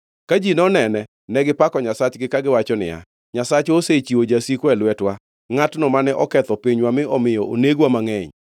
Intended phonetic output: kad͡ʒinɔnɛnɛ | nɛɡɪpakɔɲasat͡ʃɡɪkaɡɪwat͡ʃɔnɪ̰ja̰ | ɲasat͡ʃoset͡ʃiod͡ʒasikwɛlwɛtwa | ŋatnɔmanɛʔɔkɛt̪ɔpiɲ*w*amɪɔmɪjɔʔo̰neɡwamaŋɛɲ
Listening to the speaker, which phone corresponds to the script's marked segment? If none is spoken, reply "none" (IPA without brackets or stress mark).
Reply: w